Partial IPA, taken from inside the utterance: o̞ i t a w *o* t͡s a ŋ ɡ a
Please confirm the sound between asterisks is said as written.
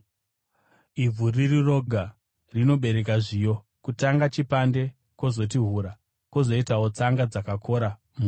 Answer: yes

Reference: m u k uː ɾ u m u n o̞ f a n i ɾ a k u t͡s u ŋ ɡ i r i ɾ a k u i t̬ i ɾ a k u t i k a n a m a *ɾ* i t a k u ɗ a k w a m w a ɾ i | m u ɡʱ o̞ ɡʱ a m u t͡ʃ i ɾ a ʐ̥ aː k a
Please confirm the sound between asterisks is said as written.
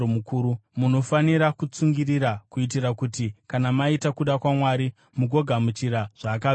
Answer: no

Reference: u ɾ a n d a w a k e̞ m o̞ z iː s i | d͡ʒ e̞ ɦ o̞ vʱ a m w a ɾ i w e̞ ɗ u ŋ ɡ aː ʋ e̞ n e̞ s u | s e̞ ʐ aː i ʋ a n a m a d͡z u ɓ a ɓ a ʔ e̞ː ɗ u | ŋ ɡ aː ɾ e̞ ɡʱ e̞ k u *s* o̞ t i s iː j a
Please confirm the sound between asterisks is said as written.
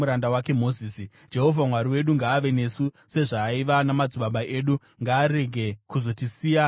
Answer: no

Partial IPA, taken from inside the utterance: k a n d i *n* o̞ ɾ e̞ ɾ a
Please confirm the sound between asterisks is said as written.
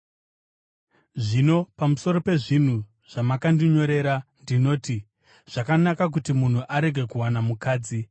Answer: no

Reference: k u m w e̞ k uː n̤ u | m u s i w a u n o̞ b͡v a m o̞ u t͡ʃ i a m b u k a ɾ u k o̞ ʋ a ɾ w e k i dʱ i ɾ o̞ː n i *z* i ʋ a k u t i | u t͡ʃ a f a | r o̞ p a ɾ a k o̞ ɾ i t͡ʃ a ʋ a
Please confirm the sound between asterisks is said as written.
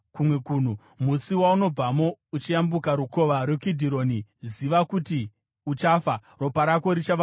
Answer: yes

